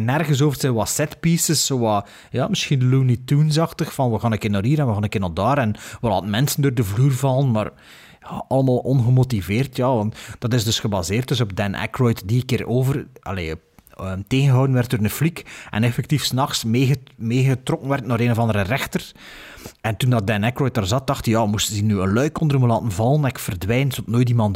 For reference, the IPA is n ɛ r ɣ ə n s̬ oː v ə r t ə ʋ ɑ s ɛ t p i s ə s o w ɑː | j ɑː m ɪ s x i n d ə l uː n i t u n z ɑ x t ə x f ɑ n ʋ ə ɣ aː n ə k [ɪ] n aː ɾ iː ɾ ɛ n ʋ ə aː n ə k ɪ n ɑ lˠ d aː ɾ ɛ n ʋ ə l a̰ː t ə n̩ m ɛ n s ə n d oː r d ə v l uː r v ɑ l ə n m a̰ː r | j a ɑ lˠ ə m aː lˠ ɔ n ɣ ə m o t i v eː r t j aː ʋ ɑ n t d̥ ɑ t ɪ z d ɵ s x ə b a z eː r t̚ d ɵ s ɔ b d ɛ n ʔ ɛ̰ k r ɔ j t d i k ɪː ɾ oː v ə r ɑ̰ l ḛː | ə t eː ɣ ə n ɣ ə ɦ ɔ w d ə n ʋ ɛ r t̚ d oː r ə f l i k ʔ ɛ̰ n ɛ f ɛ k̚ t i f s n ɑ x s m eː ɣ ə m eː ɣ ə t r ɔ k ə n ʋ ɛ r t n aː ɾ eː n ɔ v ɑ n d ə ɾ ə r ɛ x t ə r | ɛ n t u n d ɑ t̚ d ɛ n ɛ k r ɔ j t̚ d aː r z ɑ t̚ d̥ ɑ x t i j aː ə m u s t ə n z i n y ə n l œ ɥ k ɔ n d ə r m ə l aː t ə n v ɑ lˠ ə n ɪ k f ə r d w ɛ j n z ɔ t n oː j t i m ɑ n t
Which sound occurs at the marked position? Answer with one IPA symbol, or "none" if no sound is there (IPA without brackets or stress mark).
ɪ